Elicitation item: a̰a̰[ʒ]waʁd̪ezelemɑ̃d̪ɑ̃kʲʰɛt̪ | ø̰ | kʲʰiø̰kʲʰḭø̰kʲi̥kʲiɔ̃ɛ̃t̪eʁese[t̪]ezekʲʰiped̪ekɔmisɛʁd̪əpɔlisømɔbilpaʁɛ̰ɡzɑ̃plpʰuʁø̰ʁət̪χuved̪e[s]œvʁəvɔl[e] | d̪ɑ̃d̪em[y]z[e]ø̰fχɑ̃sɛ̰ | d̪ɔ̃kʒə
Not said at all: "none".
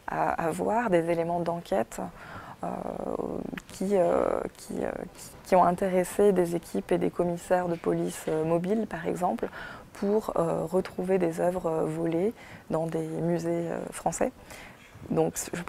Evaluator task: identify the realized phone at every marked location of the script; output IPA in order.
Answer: v, d̪, z, e, y, e

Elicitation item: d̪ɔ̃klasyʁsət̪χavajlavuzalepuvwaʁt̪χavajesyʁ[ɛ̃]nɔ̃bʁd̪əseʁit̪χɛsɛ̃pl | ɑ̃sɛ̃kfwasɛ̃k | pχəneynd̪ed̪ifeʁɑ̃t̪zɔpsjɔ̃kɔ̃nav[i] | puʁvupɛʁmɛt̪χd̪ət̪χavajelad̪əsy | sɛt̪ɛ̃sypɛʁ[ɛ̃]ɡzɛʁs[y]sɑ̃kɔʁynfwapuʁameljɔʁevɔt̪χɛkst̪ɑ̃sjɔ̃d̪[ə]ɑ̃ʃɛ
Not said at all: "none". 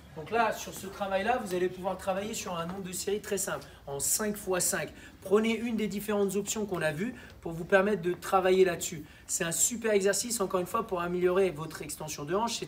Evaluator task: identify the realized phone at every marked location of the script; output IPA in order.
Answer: ɛ̃, y, ɛ, i, ə

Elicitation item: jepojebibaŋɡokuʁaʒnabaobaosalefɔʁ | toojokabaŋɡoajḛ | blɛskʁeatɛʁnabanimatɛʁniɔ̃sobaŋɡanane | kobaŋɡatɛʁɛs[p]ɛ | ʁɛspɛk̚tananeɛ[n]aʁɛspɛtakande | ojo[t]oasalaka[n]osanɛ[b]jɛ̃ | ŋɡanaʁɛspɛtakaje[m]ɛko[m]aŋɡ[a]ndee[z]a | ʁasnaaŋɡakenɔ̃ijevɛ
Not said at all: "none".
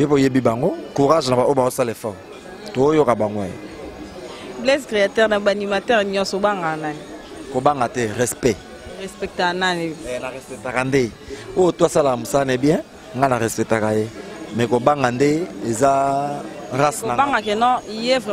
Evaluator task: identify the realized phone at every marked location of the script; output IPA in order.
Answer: p, n, t, m, b, m, b, a, z

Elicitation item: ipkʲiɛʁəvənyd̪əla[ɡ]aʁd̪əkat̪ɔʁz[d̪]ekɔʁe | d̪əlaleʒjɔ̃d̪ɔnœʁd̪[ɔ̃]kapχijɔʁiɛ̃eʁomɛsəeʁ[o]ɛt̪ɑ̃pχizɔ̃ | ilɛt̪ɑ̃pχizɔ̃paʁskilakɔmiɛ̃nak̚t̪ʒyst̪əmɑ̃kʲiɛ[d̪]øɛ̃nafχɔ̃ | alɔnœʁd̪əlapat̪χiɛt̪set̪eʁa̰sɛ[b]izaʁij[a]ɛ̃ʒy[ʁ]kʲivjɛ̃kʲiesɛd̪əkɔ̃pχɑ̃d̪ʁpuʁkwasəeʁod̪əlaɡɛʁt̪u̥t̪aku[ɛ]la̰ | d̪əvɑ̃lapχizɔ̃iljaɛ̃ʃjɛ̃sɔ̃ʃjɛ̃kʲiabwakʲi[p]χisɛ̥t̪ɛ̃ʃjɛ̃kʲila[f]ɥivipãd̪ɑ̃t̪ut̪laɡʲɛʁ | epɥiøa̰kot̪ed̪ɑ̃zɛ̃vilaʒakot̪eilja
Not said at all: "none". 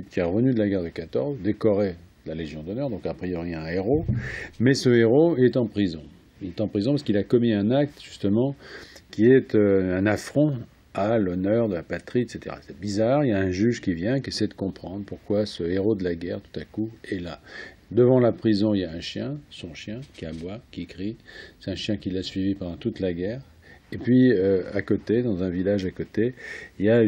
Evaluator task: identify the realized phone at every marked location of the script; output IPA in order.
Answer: ɡ, d̪, ɔ̃, o, t̪, b, a, ʒ, ɛ, k, s

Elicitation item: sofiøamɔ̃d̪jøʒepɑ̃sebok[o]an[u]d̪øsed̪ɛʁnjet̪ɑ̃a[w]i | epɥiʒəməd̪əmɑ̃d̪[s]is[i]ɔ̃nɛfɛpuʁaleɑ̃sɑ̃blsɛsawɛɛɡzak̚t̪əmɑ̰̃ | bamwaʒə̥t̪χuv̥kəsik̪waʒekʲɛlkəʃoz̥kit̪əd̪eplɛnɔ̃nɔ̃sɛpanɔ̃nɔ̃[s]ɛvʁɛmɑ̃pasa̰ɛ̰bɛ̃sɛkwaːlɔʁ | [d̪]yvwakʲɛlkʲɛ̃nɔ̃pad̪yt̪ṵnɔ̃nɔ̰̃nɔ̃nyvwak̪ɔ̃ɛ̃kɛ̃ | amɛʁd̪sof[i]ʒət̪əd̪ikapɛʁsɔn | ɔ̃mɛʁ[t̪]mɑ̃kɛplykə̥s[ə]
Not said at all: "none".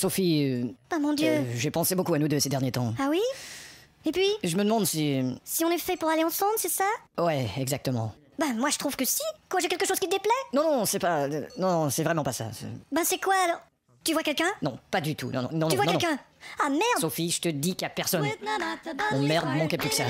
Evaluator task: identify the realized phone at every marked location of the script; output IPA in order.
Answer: u, u, w, s, i, s, t̪, i, d̪, a

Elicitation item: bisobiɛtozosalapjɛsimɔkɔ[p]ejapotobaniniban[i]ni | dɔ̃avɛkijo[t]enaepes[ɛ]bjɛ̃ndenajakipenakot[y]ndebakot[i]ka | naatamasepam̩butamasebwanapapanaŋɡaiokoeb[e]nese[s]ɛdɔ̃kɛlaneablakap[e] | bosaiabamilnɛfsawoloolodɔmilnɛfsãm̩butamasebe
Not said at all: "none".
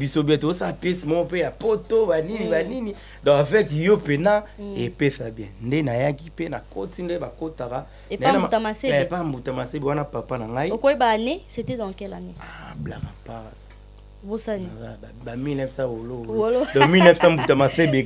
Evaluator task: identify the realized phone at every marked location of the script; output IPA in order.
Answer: p, i, p, a, i, a, a, t, a

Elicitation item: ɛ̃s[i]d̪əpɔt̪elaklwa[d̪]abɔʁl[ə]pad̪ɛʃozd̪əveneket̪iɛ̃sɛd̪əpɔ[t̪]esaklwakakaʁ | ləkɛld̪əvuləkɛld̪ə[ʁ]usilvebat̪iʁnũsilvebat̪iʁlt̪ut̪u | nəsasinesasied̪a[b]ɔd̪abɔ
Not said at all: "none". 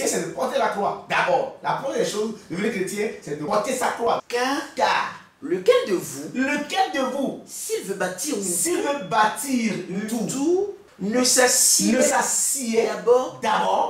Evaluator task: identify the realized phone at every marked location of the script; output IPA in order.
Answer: ɛ, d̪, a, t̪, v, b

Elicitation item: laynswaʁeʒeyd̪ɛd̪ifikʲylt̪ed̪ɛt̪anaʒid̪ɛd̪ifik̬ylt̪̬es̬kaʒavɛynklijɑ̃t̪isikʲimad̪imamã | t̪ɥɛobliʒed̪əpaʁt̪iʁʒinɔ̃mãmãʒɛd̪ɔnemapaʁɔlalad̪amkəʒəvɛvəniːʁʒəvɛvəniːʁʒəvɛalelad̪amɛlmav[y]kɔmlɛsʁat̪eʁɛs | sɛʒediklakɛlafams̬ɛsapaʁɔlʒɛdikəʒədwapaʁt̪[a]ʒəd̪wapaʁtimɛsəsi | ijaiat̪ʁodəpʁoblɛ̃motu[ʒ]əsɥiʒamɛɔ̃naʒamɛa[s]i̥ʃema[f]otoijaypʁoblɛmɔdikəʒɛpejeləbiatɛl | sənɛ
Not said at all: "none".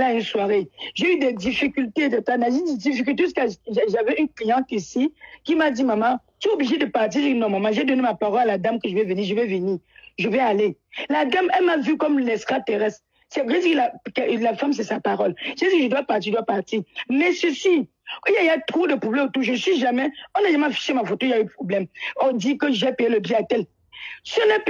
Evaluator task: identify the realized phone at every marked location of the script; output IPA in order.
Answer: y, i, ʒ, f, f

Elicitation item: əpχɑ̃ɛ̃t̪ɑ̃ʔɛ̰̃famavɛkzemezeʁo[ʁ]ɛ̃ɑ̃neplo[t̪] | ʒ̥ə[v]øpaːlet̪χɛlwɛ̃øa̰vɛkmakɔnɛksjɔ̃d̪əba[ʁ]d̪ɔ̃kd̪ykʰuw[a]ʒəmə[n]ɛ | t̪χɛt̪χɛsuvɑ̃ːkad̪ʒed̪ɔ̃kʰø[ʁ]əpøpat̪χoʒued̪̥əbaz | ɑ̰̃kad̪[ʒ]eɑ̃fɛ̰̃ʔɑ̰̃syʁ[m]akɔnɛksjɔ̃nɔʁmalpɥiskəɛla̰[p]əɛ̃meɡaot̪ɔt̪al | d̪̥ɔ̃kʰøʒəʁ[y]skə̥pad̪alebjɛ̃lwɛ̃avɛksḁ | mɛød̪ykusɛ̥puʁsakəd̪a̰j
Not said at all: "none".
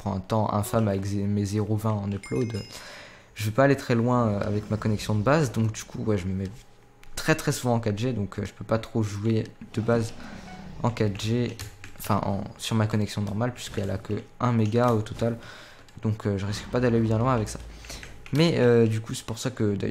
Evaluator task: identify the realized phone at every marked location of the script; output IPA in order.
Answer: v, d̪, v, z, ɛ, m, ʒ, ʒ, m, k, i

